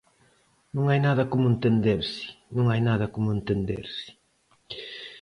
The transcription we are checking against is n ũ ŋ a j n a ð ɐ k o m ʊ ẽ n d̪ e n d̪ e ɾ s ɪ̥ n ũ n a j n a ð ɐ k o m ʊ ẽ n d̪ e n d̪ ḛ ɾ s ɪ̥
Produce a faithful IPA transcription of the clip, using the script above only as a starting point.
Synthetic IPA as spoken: n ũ ŋ a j n a ð ɐ k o m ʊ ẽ n t̪ e n d̪ e ɾ s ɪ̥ n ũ ŋ a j n a ð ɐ k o m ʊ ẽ n t̪ e n d̪ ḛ ɾ s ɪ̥

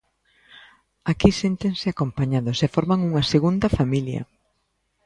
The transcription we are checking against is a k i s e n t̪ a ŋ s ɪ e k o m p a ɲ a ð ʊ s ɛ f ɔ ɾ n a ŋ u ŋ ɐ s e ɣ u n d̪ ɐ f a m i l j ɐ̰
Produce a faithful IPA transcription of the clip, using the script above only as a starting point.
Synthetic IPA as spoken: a k i s e n t̪ e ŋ s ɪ a k o m p a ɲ a ð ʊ s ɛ f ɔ ɾ m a ŋ u ŋ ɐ s e ɣ u n d̪ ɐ f a m i l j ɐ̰

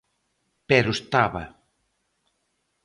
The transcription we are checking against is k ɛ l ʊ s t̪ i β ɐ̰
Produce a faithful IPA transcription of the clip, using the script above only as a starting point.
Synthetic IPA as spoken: p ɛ ɾ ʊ s t̪ a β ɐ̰

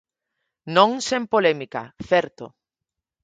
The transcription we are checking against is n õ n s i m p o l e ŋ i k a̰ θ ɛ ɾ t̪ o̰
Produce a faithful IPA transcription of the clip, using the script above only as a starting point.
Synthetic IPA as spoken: n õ ŋ s e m p o l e m i k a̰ θ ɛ ɾ t̪ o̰

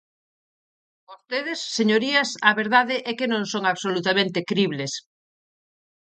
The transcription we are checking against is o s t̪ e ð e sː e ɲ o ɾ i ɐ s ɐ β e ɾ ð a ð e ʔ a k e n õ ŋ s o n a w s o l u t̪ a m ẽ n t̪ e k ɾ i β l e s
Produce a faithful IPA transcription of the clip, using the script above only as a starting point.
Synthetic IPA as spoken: o s t̪ e ð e sː e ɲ o ɾ i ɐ s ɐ β e ɾ ð a ð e ʔ ɛ k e n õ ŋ s o ŋ a β s o l u t̪ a m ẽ n t̪ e k ɾ i β l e s

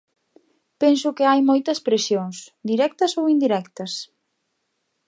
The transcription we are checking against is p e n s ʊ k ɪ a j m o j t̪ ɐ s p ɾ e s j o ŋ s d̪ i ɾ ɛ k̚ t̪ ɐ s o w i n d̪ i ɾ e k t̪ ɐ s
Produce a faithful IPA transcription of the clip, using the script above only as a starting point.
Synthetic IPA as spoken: p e n s ʊ k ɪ a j m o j t̪ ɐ s p ɾ e s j o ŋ s d̪ i ɾ ɛ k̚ t̪ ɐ s o w i n d̪ i ɾ ɛ k t̪ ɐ s

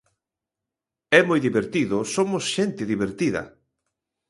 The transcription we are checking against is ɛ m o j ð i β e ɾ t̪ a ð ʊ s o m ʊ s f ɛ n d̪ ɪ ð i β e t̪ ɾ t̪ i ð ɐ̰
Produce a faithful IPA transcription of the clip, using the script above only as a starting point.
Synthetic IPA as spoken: ɛ m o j ð i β e ɾ t̪ i ð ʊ s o m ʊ s ʃ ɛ n t̪ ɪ ð i β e ɾ t̪ i ð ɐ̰

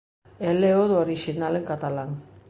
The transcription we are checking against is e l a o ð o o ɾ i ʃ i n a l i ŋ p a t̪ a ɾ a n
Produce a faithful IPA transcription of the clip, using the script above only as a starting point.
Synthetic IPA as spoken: e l e o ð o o ɾ i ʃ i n a l e ŋ k a t̪ a l a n

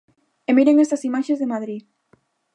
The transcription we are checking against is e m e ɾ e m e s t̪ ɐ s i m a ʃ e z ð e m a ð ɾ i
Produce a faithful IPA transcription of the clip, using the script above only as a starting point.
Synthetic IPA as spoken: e m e ɾ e ŋ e s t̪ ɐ s i m a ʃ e z ð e m a ð ɾ i

